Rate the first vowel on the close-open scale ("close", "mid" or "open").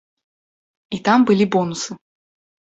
close